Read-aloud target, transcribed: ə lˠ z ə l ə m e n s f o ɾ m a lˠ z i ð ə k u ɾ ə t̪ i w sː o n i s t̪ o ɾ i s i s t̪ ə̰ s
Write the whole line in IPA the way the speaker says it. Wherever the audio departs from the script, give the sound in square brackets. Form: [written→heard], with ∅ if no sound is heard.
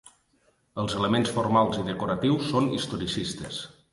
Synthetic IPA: ə lˠ z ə l ə m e n s f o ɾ m a lˠ z i ð ə k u ɾ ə t̪ i w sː o n i s t̪ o ɾ i s i s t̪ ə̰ s